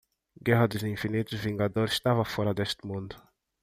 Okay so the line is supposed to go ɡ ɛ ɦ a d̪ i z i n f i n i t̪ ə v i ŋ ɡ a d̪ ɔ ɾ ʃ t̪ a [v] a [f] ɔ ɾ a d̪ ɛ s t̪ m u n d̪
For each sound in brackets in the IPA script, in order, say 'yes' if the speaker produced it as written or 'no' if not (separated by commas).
yes, yes